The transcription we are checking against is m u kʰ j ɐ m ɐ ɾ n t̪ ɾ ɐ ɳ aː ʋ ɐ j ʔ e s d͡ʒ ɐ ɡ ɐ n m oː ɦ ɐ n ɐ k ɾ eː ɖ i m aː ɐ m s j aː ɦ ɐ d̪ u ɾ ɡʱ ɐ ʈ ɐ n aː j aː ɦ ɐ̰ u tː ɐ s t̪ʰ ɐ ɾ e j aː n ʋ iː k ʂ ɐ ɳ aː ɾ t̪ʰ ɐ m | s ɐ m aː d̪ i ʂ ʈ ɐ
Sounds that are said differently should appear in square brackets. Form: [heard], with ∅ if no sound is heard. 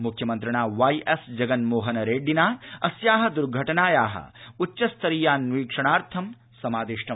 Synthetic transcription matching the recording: m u kʰ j ɐ m ɐ [∅] n t̪ ɾ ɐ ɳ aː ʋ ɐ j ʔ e s d͡ʒ ɐ ɡ ɐ n m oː ɦ ɐ n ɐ [∅] ɾ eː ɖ i [n] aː ɐ [∅] s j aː ɦ ɐ d̪ u ɾ ɡʱ ɐ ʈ ɐ n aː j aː ɦ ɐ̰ u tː ɐ s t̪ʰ ɐ ɾ [i] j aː n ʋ iː k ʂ ɐ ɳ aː ɾ t̪ʰ ɐ m | s ɐ m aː d̪ i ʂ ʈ ɐ

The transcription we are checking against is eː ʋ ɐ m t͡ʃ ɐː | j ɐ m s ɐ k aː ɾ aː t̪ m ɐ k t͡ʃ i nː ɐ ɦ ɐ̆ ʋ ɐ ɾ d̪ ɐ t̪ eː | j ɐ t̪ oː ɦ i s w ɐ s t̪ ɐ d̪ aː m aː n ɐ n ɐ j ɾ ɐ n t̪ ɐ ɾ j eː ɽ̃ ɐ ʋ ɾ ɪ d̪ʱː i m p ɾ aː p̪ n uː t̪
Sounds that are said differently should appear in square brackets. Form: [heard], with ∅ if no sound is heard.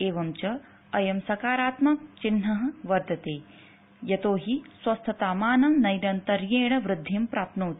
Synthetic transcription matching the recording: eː ʋ ɐ m t͡ʃ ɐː | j ɐ m s ɐ k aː ɾ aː t̪ m ɐ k t͡ʃ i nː ɐ ɦ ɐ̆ ʋ ɐ ɾ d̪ ɐ t̪ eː | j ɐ t̪ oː ɦ i s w ɐ s [t̪ʰ] ɐ [t̪] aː m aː n ɐ n ɐ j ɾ ɐ n t̪ ɐ ɾ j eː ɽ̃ ɐ ʋ ɾ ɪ d̪ʱː i m p ɾ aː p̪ n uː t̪

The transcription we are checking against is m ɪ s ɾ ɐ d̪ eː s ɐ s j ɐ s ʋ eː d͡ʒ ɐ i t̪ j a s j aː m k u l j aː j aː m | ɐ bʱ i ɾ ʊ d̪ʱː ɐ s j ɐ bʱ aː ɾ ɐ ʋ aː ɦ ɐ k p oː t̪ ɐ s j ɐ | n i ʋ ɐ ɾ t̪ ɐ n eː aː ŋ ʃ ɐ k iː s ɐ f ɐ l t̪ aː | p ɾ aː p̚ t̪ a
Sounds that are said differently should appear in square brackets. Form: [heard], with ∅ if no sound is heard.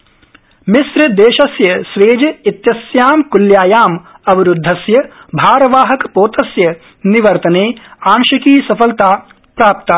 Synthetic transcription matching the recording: m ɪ s ɾ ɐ d̪ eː [ʃ] ɐ s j ɐ s ʋ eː d͡ʒ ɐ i t̪ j [ɐ] s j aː m k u l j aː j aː m | ɐ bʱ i ɾ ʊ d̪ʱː ɐ s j ɐ bʱ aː ɾ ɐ ʋ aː ɦ ɐ k p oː t̪ ɐ s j ɐ | n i ʋ ɐ ɾ t̪ ɐ n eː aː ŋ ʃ ɐ k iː s ɐ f ɐ l t̪ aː | p ɾ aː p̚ t̪ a

